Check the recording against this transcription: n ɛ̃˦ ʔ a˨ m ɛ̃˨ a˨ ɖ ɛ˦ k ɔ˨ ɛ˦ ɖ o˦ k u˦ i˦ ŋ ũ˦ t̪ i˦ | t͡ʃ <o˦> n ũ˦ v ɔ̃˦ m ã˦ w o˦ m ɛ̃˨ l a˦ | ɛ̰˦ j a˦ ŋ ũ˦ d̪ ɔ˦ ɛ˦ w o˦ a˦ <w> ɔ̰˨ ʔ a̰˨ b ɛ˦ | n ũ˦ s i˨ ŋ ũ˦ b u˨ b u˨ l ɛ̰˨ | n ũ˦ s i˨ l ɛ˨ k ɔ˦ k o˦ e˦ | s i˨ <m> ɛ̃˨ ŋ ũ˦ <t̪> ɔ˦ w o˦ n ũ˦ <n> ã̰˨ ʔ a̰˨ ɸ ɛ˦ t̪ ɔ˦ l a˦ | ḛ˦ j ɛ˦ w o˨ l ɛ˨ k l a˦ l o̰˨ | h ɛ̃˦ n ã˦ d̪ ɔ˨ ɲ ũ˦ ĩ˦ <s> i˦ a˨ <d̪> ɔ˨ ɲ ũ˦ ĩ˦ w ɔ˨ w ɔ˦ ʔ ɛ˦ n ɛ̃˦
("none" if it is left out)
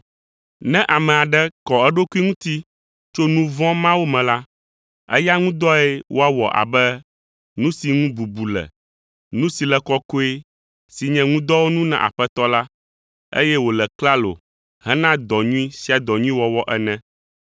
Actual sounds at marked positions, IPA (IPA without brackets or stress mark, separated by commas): o˦, w, ɲ, d̪, n, s, d̪